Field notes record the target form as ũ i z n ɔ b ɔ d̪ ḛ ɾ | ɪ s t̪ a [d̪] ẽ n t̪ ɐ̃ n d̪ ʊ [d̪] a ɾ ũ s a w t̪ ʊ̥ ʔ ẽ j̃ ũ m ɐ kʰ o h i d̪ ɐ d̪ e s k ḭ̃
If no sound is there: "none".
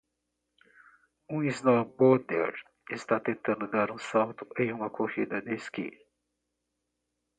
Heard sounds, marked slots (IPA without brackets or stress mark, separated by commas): t̪, d̪